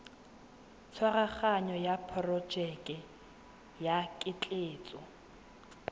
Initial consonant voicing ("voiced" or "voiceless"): voiceless